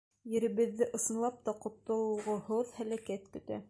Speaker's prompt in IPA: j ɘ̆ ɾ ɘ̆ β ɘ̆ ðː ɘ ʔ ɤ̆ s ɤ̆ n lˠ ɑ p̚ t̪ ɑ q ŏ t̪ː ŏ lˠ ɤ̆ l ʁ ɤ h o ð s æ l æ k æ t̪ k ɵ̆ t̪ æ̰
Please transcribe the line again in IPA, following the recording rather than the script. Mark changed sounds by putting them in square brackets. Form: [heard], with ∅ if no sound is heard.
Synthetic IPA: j ɘ̆ ɾ ɘ̆ β ɘ̆ ðː ɘ ʔ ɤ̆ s ɤ̆ n lˠ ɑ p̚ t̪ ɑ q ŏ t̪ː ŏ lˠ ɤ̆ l ʁ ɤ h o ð [h] æ l æ k æ t̪ k ɵ̆ t̪ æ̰